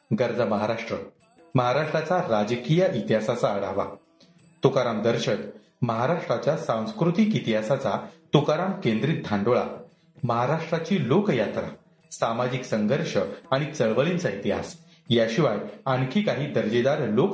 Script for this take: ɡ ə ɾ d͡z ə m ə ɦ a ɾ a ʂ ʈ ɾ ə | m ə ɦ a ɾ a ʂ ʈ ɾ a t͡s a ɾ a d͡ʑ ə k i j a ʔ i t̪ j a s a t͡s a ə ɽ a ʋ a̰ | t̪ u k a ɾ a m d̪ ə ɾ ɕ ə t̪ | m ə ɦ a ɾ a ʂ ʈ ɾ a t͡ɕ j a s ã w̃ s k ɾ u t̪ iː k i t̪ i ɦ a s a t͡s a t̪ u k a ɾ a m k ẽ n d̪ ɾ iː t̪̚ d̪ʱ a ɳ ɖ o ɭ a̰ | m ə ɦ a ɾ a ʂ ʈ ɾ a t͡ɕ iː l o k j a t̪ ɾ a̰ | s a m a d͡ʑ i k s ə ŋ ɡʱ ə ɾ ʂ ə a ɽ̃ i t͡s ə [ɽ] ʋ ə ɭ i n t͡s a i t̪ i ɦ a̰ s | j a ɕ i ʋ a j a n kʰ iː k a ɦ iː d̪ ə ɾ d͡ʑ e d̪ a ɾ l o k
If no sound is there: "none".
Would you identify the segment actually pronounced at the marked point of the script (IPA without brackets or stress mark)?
ɭ